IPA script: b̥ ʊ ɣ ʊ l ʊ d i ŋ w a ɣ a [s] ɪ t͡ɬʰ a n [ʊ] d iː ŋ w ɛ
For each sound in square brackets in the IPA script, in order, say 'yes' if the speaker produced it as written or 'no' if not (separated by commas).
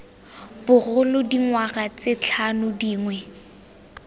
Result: no, yes